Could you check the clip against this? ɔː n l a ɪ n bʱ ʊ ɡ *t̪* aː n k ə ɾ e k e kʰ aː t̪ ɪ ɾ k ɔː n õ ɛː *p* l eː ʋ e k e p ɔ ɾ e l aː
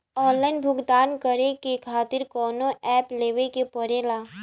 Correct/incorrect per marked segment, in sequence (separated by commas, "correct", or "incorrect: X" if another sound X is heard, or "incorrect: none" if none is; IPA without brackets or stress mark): incorrect: d̪, correct